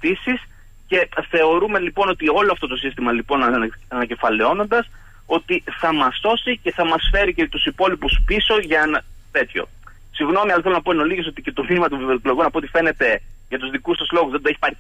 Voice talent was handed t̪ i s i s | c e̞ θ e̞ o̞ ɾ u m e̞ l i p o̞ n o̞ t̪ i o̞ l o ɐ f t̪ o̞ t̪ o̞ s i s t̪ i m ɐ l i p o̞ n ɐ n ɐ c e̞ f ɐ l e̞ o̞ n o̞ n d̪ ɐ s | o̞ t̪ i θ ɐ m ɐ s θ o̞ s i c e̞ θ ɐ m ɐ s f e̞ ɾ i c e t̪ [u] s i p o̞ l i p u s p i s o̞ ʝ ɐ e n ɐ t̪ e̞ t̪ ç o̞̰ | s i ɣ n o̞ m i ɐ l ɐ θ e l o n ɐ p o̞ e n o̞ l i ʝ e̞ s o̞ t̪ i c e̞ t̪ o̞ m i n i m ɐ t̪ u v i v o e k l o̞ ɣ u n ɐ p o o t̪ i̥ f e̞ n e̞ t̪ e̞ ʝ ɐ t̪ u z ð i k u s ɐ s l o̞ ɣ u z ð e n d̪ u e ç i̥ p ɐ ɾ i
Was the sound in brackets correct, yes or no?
yes